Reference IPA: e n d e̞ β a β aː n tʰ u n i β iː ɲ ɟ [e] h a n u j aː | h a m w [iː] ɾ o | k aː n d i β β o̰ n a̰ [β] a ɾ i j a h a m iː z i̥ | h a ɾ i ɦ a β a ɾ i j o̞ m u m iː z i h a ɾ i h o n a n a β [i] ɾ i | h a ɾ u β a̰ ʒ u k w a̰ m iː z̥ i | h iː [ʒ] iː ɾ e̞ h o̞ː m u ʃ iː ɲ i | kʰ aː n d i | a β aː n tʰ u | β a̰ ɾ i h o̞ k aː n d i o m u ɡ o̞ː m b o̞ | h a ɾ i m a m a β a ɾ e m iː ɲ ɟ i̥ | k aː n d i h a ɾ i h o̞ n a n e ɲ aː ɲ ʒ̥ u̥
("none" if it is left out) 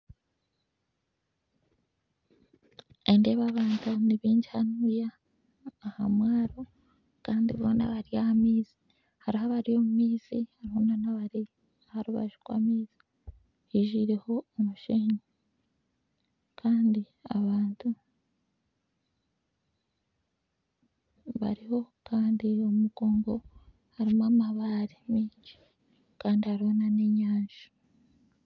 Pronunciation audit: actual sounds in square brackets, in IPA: i, aː, β, a, ʒ

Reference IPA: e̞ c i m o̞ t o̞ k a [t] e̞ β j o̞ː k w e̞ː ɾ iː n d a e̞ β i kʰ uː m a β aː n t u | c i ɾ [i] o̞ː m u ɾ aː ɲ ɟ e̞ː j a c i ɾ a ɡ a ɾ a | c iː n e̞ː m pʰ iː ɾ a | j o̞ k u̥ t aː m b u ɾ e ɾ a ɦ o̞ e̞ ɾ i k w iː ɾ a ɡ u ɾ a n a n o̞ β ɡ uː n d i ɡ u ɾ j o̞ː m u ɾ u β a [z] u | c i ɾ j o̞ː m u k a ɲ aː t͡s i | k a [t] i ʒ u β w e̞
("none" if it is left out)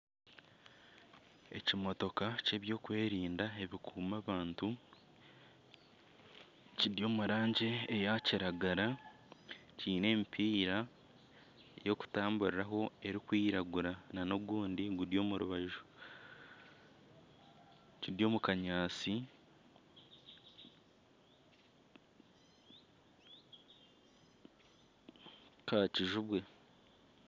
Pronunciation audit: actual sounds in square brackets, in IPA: c, j, ʒ, c

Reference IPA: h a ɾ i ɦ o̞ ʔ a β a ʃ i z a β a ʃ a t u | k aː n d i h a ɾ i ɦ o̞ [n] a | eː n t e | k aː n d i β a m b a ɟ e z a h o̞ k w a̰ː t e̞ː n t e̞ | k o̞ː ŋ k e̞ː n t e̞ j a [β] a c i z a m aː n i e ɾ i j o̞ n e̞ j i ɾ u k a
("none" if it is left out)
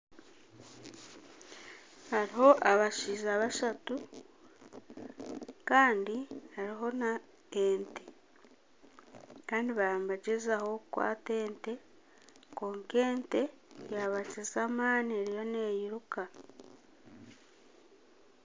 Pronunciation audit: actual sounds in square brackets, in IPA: n, β

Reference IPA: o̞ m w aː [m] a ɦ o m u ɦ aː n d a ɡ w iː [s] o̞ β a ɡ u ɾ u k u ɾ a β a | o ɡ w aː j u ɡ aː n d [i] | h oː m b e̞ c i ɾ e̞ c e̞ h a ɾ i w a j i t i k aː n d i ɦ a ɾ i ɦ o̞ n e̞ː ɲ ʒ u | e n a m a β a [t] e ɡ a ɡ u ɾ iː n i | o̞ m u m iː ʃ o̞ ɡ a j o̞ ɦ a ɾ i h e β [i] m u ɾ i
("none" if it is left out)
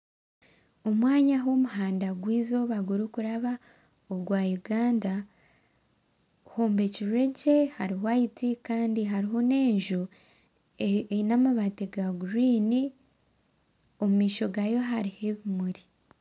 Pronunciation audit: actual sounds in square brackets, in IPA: ɲ, z, a, t, i

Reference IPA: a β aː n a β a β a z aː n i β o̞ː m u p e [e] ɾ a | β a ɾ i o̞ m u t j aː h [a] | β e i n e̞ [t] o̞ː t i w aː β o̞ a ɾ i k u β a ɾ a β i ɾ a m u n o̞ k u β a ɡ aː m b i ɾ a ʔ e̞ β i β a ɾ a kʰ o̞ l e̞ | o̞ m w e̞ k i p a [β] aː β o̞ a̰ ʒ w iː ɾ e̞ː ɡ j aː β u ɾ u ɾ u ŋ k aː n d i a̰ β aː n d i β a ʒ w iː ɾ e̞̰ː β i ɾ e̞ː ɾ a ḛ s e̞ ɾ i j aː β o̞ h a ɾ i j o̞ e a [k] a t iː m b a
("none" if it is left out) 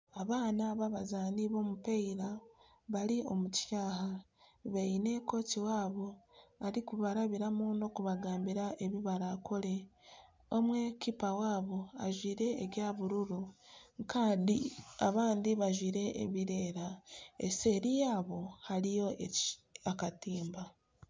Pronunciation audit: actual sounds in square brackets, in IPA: i, a, k, w, k

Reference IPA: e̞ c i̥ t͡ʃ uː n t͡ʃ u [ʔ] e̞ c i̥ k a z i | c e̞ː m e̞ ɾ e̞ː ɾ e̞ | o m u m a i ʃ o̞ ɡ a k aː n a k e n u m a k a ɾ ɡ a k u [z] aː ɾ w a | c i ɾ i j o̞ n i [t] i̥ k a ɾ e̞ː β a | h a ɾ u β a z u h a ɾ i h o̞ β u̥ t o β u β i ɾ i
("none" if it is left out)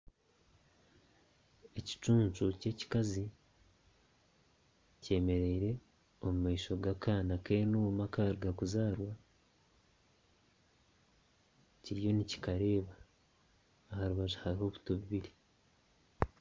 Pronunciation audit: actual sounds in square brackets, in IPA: c, z, c

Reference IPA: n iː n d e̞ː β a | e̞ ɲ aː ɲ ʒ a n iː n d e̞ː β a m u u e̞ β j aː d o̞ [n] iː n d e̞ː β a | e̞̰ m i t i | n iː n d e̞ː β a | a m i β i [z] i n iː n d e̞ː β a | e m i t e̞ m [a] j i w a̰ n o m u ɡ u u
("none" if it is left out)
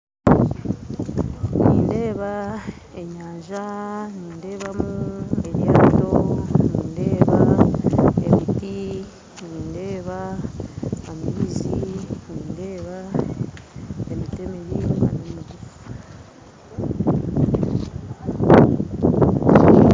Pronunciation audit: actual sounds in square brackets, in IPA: n, z, e

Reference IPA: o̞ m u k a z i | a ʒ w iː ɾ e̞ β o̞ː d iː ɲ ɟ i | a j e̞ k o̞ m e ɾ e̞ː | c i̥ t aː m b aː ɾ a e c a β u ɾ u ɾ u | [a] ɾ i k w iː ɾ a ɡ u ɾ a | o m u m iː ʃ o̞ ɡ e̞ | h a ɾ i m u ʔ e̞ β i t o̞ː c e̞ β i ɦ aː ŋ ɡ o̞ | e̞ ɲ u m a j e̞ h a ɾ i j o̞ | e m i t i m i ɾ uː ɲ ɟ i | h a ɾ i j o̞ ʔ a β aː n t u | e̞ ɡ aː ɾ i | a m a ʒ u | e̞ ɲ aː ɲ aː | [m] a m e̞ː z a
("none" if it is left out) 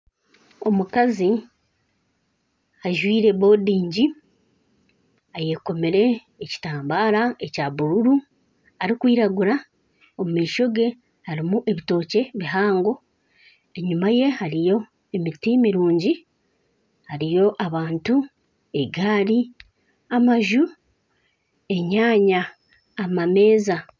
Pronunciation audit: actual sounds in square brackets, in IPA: a, m

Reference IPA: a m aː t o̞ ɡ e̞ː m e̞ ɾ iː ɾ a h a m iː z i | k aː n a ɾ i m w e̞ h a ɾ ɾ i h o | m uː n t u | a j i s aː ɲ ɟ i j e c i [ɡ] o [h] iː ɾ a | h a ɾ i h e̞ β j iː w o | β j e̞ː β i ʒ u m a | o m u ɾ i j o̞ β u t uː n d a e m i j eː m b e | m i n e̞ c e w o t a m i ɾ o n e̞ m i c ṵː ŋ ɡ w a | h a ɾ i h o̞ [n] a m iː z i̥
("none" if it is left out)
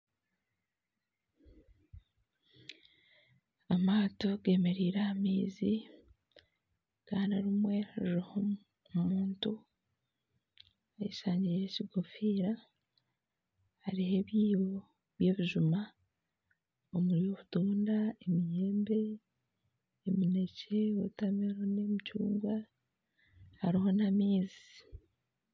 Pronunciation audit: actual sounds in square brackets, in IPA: ɡ, f, n

